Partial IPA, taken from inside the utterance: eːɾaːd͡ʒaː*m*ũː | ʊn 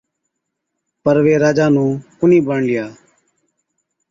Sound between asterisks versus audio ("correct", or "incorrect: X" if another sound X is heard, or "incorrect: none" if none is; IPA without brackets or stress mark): incorrect: n